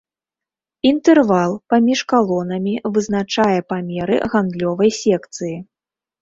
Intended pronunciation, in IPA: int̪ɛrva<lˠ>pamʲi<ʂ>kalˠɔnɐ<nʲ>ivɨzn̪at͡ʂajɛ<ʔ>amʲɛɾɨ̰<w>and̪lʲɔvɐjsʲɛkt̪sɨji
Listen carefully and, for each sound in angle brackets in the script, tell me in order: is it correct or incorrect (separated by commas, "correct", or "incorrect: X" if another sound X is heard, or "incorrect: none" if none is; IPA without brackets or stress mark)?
correct, correct, incorrect: mʲ, incorrect: p, incorrect: ɣ